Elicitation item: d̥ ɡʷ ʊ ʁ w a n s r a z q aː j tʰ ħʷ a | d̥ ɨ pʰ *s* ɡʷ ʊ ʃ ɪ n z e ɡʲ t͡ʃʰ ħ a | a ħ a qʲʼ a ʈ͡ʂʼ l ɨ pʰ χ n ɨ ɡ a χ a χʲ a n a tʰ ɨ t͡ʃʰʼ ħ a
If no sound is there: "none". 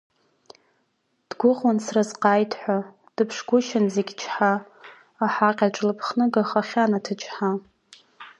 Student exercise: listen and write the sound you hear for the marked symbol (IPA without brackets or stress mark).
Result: ʂ